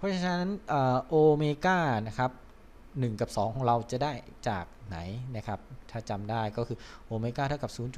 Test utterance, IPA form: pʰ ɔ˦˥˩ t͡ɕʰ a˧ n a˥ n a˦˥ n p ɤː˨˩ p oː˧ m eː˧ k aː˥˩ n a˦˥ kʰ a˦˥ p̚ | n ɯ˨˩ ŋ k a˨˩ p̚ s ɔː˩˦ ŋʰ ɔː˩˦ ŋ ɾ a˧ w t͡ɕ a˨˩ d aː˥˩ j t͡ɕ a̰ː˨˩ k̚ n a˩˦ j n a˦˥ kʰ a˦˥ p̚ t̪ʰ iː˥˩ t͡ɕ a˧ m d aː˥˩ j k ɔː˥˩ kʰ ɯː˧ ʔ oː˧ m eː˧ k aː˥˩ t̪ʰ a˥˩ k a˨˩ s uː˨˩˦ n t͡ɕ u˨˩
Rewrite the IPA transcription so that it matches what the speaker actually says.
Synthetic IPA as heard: pʰ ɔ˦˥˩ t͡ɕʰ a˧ n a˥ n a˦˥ n ʔ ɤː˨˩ ʔ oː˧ m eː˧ k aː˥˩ n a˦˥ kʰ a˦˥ p̚ | n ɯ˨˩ ŋ k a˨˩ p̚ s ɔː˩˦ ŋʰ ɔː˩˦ ŋ ɾ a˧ w t͡ɕ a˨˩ d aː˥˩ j t͡ɕ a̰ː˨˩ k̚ n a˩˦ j n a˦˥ kʰ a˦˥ p̚ t̪ʰ aː˥˩ t͡ɕ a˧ m d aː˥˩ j k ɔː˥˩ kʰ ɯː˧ ʔ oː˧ m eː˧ k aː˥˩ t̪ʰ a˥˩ k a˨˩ s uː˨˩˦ n t͡ɕ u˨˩